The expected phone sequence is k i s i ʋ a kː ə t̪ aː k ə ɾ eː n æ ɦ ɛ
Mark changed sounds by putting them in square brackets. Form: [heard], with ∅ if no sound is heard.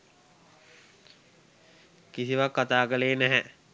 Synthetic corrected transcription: k i s i ʋ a kː [a] t̪ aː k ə [l] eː n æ ɦ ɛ